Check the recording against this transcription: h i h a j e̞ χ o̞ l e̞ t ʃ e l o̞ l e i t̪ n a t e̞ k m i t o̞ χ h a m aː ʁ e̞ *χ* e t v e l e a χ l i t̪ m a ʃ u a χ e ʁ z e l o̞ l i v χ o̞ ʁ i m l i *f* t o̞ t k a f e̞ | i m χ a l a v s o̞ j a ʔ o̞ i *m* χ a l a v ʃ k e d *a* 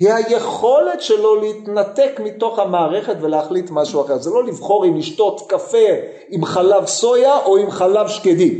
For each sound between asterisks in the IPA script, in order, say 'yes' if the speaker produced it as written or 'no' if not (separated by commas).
yes, no, yes, no